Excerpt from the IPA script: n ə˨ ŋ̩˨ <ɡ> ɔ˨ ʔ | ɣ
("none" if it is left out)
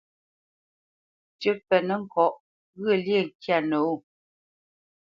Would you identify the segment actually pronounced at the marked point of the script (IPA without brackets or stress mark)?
k